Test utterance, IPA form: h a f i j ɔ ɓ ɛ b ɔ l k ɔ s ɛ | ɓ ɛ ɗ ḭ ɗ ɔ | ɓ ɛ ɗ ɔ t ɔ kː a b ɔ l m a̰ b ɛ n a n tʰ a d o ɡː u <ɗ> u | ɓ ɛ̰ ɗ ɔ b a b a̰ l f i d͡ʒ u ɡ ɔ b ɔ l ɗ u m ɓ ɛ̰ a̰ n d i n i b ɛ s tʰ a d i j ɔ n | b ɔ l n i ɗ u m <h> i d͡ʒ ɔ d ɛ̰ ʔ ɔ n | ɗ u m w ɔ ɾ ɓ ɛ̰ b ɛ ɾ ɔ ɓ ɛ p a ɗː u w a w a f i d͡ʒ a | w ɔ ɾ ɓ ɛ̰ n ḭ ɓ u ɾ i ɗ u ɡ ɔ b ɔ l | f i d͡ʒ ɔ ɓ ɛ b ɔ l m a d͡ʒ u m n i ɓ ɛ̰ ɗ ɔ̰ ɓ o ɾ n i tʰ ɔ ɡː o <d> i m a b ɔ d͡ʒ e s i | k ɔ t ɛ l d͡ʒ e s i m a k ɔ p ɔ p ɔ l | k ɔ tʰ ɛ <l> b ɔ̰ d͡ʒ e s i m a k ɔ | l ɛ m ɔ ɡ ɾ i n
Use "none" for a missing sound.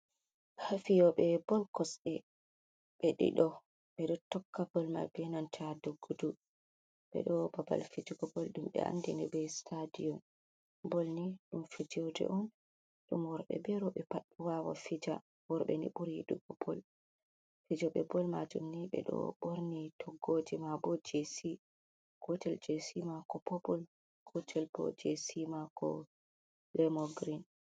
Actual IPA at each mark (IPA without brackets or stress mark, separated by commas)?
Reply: d, f, d͡ʒ, l